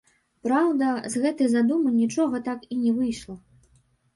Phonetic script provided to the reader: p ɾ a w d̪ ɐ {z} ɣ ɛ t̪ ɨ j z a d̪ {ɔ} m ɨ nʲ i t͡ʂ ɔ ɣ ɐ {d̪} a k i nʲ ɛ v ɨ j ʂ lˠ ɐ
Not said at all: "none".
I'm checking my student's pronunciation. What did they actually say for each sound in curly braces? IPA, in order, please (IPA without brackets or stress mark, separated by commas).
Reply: z, u, t̪